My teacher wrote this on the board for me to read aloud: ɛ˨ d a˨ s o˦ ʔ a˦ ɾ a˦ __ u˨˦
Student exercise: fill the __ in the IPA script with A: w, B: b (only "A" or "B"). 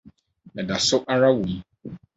A